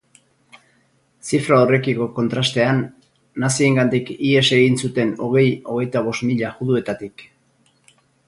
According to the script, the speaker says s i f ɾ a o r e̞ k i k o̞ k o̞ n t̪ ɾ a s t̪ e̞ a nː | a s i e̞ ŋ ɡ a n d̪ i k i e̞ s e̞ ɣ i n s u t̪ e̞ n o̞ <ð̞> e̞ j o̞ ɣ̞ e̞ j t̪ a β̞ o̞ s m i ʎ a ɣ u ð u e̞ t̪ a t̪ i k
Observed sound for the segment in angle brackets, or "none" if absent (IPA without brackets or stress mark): ɣ̞